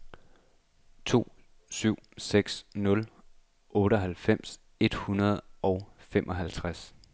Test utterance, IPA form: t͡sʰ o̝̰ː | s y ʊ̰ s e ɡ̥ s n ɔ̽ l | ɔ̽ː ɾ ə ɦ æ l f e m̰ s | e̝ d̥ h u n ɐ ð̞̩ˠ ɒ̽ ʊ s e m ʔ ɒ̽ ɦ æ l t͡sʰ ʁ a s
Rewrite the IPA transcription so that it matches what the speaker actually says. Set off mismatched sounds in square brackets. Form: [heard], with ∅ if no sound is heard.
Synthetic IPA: t͡sʰ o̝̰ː | s y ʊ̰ s e ɡ̥ s n ɔ̽ l | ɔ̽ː ɾ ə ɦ æ l f e m̰ s | e̝ d̥ h u n ɐ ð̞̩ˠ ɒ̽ ʊ [f] e m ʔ ɒ̽ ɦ æ l t͡sʰ ʁ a s